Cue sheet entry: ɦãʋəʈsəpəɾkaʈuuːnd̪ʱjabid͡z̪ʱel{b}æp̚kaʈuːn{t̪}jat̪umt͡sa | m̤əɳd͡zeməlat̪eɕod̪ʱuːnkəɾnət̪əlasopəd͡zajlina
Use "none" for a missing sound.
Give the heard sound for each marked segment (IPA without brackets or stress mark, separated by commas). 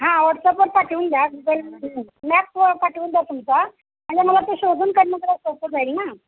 m, d̪